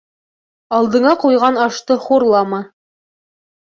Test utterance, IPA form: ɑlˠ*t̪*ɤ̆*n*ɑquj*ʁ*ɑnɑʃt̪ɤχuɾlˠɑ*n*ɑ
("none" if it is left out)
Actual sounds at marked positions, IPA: d̪, ɴ, ʁ, m

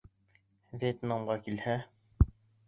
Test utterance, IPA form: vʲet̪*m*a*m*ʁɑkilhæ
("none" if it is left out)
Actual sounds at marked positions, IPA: n, m

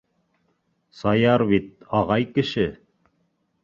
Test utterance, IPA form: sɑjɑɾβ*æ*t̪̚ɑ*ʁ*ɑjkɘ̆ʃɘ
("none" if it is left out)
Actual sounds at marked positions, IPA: i, ʁ

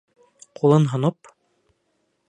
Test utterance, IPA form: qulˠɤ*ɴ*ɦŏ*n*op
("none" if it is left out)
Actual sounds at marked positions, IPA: n, n

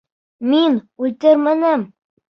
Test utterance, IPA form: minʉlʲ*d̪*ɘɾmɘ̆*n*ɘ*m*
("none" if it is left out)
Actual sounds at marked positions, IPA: t̪, n, m

